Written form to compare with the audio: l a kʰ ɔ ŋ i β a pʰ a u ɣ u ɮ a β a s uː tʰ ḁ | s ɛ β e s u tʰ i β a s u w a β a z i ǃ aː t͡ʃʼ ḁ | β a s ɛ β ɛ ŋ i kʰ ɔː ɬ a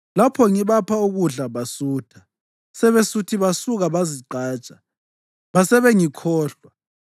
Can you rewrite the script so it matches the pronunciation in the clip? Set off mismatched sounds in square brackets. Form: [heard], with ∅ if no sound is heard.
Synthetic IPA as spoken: l a [pʰ] ɔ ŋ i β a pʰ a u ɣ u ɮ a β a s uː tʰ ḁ | s ɛ β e s u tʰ i β a s u [ɣ] a β a z i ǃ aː t͡ʃʼ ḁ | β a s ɛ β ɛ ŋ i kʰ ɔː ɬ a